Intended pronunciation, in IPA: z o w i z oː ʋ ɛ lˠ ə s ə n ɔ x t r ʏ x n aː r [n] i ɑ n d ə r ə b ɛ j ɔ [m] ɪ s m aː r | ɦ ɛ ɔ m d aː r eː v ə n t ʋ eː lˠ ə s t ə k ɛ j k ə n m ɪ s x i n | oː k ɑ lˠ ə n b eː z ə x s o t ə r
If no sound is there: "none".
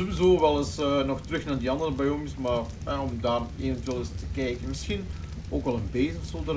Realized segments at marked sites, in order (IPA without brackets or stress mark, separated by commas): d, m